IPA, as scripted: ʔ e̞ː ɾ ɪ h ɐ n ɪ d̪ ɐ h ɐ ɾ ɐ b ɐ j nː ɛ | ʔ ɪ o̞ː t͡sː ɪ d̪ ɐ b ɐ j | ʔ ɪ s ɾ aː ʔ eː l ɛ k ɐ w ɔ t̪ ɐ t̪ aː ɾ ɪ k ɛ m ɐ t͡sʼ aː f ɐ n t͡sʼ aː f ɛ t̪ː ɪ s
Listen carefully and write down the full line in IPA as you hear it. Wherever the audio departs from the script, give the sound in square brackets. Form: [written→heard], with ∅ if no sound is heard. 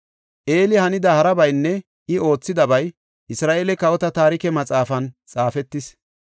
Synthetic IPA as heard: ʔ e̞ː [ɾ→l] ɪ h ɐ n ɪ d̪ ɐ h ɐ ɾ ɐ b ɐ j nː ɛ | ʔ ɪ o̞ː t͡sː ɪ d̪ ɐ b ɐ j | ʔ ɪ s ɾ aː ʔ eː l ɛ k ɐ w ɔ t̪ ɐ t̪ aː ɾ ɪ k ɛ m ɐ t͡sʼ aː f ɐ n t͡sʼ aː f ɛ t̪ː ɪ s